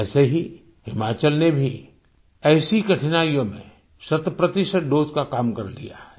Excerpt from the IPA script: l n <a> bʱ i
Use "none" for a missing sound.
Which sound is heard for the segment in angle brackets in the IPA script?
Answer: e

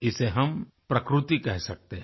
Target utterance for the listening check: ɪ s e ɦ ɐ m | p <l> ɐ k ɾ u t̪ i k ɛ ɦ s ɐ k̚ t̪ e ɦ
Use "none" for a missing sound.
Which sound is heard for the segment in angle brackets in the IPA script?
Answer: ɾ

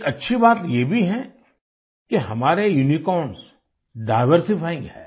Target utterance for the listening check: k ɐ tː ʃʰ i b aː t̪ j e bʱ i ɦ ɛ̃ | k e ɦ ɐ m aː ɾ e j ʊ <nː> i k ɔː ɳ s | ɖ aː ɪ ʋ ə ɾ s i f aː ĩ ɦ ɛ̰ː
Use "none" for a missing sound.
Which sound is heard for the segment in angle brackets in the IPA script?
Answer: n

